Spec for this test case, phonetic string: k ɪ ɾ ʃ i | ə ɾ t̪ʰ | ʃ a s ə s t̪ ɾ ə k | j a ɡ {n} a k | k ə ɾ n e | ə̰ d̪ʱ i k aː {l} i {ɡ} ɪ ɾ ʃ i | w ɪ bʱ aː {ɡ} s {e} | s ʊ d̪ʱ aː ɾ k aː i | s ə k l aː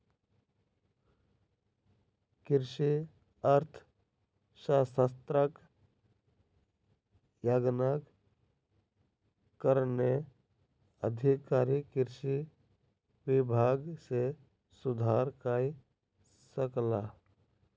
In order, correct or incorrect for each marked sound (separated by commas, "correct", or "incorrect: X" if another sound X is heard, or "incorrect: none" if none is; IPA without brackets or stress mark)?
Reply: correct, incorrect: ɾ, incorrect: k, correct, correct